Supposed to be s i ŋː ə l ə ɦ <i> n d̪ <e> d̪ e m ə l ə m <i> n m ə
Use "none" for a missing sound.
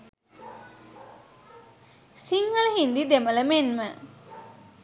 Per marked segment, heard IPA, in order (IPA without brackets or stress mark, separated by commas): i, i, e